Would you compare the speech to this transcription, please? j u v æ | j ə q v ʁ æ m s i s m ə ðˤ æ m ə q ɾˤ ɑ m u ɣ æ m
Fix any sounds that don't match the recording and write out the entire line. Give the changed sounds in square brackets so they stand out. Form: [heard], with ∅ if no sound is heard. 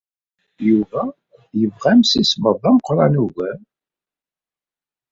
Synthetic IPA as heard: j u v æ | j ə [∅] v ʁ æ m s i s m ə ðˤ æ m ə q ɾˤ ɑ [n] u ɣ æ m